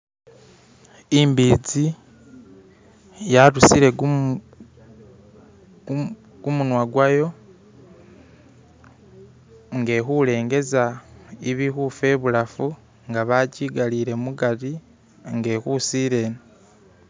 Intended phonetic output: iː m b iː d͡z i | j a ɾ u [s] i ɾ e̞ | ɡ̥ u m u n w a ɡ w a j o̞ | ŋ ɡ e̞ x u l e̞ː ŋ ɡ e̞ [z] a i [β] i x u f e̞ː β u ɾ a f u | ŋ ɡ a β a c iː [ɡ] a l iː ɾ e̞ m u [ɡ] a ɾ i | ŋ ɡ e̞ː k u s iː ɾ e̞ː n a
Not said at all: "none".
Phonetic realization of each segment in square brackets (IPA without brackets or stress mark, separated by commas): s, z, β, ɡ, ɡ